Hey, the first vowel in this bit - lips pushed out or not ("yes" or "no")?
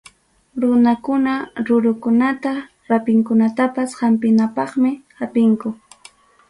yes